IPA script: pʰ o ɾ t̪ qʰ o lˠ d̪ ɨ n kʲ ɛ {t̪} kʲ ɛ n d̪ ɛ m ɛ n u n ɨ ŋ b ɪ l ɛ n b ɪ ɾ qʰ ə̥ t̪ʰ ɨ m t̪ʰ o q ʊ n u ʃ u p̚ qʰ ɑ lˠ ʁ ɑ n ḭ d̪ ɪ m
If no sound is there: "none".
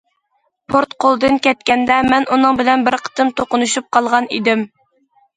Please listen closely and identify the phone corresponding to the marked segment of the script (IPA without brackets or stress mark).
t̪